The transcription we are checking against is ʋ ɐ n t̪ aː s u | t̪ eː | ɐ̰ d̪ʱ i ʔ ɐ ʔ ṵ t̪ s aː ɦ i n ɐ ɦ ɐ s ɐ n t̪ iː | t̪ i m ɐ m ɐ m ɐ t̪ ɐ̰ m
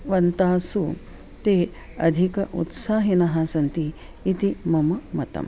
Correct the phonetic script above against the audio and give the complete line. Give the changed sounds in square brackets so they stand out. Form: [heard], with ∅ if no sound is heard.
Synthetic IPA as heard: ʋ ɐ n t̪ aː s u | t̪ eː | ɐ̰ d̪ʱ i [k] ɐ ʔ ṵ t̪ s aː ɦ i n ɐ ɦ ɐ s ɐ n t̪ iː | t̪ i m ɐ m ɐ m ɐ t̪ ɐ̰ m